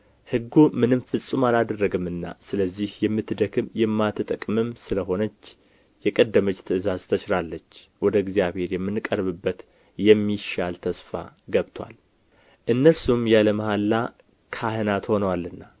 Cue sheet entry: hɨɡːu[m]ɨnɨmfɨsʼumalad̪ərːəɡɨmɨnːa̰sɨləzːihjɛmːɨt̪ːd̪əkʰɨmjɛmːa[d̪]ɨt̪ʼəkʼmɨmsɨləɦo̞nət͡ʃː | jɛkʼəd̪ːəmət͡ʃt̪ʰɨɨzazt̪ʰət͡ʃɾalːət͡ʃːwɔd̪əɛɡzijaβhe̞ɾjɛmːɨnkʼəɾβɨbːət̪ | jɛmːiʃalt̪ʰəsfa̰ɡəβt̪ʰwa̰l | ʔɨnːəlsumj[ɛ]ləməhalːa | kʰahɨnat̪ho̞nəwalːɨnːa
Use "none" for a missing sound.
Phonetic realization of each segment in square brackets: m, t̪, a

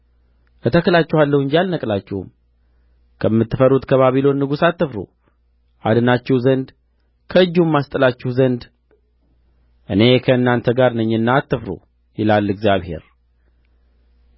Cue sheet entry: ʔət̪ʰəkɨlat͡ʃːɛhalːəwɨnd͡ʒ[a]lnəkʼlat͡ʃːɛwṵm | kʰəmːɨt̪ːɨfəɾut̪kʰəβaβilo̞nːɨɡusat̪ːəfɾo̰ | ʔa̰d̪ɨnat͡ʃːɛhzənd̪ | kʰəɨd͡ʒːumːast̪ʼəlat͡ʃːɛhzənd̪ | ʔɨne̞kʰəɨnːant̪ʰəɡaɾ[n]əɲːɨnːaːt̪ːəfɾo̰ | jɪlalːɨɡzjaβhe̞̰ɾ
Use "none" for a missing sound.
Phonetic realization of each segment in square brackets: a, n

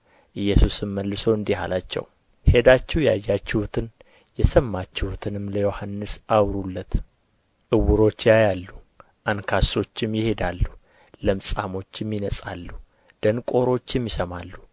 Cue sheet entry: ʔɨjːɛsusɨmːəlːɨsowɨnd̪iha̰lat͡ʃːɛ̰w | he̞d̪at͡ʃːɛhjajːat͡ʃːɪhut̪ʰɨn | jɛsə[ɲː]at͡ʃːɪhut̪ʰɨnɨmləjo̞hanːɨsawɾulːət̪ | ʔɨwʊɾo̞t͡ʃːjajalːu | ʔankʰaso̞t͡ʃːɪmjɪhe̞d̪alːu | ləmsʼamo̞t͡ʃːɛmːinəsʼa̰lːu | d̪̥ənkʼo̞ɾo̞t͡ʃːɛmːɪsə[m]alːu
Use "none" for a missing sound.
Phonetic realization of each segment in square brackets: mː, m

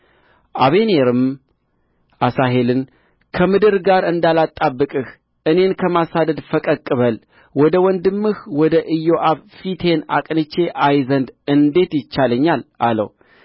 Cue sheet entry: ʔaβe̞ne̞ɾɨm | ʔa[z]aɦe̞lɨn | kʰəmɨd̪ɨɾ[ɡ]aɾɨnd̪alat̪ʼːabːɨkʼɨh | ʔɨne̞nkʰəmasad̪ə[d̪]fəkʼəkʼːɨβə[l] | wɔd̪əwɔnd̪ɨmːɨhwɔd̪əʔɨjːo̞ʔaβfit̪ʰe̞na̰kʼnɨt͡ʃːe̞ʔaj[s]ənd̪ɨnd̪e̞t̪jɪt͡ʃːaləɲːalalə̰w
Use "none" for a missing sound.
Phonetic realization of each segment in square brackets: s, ɡ, d̪, l, z

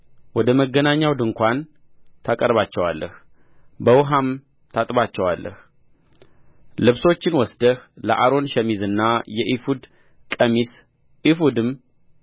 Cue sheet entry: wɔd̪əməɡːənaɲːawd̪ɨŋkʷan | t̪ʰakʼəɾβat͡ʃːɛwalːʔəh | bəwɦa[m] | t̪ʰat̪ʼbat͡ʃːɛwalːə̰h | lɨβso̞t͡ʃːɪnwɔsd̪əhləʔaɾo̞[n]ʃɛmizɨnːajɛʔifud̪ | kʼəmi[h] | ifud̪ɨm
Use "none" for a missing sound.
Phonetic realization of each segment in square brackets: m, n, s

